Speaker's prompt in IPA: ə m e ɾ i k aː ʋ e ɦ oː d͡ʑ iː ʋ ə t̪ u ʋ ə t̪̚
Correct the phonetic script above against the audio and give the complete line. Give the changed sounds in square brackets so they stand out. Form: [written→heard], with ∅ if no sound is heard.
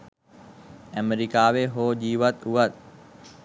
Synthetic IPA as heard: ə m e ɾ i k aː ʋ e ɦ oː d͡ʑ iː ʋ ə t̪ u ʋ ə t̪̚